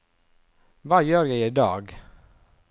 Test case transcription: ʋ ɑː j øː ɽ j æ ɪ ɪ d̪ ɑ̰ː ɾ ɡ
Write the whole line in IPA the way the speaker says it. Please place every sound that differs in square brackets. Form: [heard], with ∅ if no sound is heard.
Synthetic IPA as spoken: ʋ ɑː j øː [ɾ] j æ ɪ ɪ d̪ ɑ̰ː [∅] ɡ